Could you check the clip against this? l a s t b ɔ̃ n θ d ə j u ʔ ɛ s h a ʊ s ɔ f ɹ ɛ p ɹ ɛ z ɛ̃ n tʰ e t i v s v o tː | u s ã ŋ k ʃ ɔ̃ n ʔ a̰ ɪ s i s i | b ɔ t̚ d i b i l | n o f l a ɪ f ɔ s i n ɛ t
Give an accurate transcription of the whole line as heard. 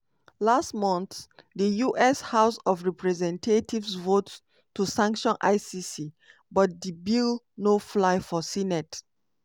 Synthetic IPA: l a s t m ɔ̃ n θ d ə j u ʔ ɛ s h a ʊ s ɔ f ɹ ɛ p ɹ ɛ z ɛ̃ n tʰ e t i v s v o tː | u s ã ŋ k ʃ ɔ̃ n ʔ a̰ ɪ s i s i | b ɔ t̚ d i b i l | n o f l a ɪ f ɔ s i n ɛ t